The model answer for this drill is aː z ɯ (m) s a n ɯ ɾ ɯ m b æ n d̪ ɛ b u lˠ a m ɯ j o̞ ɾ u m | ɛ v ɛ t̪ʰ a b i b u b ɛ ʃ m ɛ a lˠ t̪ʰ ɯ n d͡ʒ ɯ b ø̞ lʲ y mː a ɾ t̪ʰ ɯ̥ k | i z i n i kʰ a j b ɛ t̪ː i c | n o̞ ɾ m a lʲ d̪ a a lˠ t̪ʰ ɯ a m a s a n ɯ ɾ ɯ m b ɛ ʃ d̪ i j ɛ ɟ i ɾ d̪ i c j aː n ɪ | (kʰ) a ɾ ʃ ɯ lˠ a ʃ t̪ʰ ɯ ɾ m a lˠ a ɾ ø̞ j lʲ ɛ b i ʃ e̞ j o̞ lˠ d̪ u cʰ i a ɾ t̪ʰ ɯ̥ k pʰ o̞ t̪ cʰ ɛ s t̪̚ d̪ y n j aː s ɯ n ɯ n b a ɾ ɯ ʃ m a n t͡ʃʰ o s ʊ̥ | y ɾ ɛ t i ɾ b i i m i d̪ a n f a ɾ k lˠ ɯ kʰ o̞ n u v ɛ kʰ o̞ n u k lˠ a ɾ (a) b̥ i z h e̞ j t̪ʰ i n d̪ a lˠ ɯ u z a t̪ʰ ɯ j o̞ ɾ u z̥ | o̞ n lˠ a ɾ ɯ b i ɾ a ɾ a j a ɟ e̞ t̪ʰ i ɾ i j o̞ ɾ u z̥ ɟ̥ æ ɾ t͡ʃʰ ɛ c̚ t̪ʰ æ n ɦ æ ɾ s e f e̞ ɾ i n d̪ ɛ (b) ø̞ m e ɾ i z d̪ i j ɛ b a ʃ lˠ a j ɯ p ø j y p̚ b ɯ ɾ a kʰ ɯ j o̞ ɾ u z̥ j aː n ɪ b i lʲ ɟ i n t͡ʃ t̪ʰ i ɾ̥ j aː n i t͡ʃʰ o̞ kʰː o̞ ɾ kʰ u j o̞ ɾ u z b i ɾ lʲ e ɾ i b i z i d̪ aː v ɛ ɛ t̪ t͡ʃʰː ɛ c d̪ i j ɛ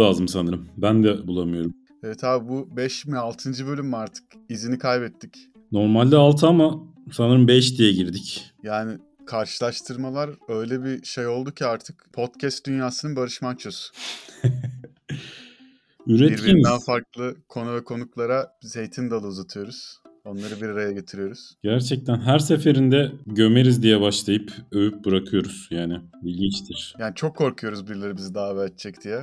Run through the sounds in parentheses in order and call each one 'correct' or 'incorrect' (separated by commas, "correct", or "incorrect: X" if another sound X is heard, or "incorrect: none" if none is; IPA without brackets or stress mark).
correct, correct, correct, incorrect: ɟ